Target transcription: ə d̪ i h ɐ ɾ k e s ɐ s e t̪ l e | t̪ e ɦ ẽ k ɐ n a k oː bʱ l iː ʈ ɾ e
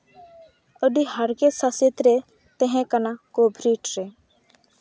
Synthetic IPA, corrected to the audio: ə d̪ i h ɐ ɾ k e s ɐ s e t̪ ɾ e | t̪ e ɦ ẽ k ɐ n a k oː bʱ ɾ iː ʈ ɾ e